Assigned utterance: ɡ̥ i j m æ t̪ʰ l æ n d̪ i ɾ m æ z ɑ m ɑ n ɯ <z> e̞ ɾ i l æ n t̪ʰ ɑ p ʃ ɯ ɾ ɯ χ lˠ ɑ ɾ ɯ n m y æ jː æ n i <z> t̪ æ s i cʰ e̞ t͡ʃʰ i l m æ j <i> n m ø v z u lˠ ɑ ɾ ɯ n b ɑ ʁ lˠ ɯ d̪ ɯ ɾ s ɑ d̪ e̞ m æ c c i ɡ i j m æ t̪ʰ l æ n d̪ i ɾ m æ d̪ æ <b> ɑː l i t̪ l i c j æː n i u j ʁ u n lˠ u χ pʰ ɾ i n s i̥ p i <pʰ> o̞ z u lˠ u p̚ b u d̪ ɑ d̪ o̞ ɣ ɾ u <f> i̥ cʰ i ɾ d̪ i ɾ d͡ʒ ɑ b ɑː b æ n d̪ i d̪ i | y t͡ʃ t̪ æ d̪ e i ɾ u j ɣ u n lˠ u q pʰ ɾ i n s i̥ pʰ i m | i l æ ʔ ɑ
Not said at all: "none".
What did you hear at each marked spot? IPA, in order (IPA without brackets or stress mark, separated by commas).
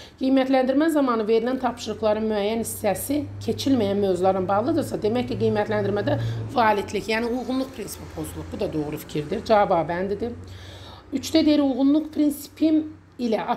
v, s, æ, v, pʰ, f